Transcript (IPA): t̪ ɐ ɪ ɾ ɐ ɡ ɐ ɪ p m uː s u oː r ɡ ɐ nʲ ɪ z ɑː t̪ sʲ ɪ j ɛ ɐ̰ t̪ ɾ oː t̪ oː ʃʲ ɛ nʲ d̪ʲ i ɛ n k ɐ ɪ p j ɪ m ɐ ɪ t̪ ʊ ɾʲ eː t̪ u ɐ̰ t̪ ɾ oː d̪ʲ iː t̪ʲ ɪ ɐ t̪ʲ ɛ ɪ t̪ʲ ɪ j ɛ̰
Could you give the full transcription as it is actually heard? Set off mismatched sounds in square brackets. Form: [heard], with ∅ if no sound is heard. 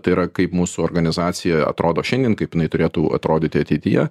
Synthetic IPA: t̪ ɐ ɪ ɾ ɐ [k] ɐ ɪ p m uː s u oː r ɡ ɐ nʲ ɪ z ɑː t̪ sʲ ɪ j ɛ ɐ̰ t̪ ɾ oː [d̪] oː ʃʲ ɛ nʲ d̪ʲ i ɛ n k ɐ ɪ p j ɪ [n] ɐ ɪ t̪ ʊ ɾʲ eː t̪ u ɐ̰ t̪ ɾ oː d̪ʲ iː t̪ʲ ɪ ɐ t̪ʲ ɛ ɪ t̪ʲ ɪ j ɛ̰